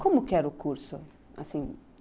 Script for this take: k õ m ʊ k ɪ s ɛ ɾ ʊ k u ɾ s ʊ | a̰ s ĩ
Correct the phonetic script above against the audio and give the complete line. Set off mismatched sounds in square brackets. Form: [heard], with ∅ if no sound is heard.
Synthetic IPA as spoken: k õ m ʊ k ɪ [∅] ɛ ɾ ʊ k u ɾ s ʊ | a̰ s ĩ